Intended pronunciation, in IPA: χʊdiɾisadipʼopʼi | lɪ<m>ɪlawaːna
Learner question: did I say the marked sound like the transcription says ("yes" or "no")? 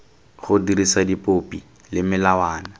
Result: yes